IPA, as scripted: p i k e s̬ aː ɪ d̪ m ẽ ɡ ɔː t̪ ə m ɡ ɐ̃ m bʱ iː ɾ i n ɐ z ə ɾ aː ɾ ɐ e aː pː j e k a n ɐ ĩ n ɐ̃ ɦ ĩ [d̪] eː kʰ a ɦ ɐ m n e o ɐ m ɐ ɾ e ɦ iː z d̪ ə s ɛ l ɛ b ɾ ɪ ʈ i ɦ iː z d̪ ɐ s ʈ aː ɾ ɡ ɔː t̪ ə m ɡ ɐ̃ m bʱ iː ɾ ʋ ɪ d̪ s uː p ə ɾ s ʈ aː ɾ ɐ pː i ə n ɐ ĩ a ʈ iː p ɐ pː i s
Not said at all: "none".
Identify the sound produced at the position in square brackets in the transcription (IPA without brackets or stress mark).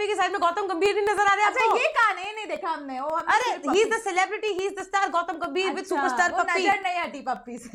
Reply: d̪